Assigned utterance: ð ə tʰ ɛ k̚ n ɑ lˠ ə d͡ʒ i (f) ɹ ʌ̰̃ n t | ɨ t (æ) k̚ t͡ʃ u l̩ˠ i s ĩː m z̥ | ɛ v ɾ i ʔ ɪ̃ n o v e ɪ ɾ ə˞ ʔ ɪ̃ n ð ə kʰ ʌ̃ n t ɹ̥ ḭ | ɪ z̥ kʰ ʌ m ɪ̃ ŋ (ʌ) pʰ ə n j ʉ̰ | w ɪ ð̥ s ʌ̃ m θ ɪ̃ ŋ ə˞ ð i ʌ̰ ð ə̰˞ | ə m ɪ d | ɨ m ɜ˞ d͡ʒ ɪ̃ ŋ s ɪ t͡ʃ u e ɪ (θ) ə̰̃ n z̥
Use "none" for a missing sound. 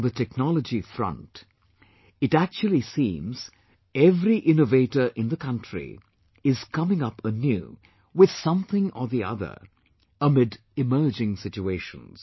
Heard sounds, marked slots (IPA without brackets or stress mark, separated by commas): f, æ, ʌ, ʃ